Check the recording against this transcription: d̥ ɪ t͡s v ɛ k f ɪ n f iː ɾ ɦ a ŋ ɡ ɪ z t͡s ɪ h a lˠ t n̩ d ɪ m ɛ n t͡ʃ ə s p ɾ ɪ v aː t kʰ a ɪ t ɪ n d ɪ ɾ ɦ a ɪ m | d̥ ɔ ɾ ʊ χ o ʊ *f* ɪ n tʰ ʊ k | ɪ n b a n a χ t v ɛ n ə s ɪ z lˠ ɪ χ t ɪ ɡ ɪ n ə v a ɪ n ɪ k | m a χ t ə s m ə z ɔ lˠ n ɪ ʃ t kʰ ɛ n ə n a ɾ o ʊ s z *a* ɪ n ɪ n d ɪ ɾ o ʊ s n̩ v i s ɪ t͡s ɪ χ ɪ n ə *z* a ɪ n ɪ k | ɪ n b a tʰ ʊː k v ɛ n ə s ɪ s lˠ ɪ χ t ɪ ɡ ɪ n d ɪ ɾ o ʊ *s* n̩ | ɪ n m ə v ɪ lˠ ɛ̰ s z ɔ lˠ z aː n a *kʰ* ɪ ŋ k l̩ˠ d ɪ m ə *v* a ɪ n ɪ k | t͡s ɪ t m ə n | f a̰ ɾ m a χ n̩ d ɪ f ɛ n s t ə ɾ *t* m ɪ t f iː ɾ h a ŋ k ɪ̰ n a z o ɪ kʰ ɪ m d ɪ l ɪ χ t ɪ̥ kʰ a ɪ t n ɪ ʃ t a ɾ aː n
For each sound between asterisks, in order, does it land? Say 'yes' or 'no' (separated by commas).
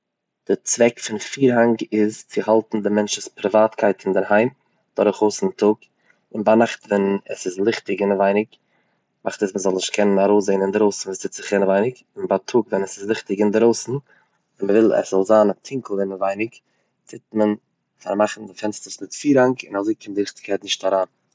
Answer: no, no, no, yes, no, yes, no